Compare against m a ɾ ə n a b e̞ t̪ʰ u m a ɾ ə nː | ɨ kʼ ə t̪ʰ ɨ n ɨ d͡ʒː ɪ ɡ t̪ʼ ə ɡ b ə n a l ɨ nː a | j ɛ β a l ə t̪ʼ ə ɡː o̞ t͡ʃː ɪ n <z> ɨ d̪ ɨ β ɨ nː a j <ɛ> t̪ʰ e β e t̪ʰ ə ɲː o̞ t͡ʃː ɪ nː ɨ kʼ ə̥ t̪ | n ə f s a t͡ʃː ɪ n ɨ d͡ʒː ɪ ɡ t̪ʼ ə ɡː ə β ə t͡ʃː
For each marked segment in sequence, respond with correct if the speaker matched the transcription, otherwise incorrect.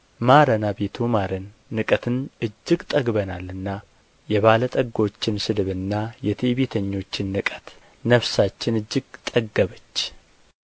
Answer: incorrect, correct

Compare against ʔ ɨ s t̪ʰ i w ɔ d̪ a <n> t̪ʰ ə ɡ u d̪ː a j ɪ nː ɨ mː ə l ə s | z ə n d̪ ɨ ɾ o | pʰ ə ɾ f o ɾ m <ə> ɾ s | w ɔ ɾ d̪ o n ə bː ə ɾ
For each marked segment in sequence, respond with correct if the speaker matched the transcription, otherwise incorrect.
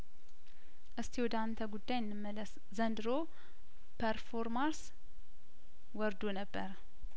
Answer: correct, incorrect

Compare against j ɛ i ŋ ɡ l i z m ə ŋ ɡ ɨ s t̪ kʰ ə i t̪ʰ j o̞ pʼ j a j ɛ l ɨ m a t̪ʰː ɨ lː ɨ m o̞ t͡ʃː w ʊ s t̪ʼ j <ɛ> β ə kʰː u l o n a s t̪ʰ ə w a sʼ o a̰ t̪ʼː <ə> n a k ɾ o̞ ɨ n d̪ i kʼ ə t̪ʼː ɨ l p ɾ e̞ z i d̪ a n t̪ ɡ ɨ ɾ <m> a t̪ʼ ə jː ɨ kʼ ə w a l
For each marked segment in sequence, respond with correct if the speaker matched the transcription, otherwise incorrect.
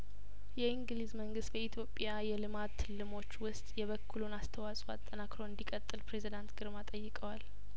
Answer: correct, correct, correct

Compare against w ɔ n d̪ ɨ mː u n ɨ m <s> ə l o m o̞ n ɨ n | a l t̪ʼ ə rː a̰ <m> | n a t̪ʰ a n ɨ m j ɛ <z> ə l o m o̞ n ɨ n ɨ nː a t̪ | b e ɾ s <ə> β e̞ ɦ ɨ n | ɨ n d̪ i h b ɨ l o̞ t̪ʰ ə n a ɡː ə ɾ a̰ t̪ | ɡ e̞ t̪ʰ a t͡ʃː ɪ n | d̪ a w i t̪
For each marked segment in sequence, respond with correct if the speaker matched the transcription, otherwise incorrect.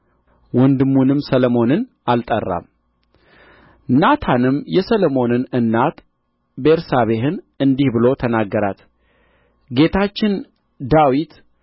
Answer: correct, correct, incorrect, incorrect

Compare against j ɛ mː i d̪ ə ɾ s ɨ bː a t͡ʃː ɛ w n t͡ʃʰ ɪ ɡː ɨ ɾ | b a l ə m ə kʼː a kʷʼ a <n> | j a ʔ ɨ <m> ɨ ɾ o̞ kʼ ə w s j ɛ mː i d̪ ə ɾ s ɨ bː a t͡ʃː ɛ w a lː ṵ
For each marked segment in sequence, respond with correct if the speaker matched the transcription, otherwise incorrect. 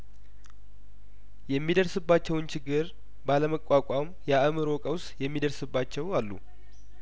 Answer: incorrect, correct

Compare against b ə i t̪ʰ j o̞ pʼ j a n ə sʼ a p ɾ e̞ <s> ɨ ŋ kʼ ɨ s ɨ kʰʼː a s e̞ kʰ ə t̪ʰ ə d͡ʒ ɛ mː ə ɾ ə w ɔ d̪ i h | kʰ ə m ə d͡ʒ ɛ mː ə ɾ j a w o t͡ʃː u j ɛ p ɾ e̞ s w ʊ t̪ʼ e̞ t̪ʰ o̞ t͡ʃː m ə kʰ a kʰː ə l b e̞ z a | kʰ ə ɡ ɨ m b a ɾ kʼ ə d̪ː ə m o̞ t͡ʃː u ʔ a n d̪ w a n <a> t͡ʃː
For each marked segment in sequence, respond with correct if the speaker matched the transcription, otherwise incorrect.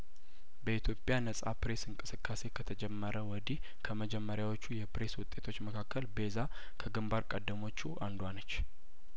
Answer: correct, incorrect

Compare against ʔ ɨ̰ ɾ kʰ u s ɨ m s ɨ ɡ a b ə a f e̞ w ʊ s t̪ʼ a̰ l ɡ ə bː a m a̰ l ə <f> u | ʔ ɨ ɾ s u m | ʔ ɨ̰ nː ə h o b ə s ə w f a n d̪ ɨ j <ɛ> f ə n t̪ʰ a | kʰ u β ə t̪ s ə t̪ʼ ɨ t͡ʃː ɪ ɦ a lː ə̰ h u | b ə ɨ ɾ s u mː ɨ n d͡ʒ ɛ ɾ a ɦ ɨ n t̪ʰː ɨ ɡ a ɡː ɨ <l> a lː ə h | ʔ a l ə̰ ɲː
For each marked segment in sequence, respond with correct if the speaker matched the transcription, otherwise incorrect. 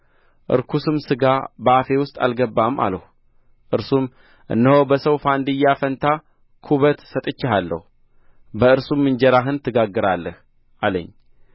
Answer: incorrect, incorrect, incorrect

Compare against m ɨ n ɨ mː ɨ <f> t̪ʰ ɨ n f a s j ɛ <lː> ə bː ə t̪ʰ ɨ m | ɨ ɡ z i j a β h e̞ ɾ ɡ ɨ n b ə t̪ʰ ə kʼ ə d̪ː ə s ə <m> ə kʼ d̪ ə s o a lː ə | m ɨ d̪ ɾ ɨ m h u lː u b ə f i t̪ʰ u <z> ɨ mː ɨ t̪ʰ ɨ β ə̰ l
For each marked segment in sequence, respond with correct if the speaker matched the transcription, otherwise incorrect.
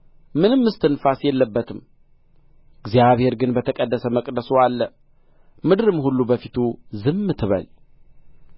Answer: incorrect, correct, correct, correct

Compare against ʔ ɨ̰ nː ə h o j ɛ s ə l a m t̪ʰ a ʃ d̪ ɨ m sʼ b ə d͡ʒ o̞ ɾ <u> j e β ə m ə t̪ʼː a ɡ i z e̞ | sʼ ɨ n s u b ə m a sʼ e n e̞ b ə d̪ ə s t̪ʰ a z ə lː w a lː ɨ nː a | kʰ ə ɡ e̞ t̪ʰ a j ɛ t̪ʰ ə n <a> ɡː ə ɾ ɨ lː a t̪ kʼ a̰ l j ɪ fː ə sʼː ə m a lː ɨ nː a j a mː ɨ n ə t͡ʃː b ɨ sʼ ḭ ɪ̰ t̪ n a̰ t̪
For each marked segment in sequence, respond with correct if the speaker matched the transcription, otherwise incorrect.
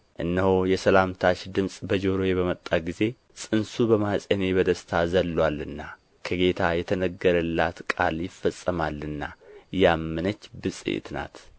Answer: incorrect, incorrect

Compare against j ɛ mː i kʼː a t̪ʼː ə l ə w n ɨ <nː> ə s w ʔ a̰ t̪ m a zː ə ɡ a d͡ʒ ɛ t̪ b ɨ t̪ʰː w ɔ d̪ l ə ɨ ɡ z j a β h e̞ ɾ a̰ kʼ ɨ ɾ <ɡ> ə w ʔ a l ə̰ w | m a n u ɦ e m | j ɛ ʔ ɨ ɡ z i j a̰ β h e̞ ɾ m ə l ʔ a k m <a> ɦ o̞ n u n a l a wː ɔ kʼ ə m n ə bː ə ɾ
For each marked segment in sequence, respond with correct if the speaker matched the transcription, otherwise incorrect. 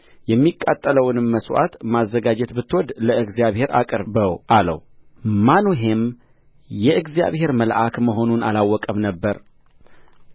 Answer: incorrect, incorrect, incorrect

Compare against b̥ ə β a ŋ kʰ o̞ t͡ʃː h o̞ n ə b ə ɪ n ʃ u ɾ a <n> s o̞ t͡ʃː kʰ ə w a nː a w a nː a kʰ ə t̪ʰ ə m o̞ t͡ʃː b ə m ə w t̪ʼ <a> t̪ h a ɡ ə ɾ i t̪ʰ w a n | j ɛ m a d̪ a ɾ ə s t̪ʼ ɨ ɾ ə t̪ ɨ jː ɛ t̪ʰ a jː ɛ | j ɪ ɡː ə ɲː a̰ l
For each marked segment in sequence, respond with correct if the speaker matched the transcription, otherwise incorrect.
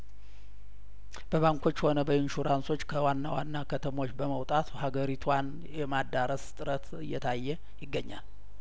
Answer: correct, correct

